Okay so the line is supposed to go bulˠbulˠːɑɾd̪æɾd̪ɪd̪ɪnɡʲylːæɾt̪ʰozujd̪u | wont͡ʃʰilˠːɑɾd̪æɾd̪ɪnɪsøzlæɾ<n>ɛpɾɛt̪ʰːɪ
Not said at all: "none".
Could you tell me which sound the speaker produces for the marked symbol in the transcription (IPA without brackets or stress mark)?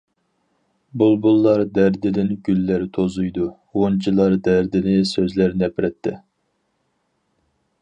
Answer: n